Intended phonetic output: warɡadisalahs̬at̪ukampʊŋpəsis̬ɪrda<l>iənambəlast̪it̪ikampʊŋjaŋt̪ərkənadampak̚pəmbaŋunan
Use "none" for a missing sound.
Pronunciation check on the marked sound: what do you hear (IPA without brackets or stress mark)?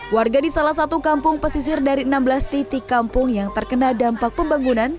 ɾ